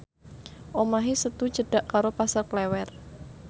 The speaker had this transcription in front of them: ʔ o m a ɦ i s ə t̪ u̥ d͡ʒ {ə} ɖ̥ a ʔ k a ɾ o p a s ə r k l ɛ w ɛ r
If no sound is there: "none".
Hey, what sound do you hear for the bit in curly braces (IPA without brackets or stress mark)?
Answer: ə